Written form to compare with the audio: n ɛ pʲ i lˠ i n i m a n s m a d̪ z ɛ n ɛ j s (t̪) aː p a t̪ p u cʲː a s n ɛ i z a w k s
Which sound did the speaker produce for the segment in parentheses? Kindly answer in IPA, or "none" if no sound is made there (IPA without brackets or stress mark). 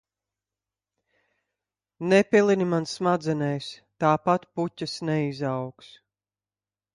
t̪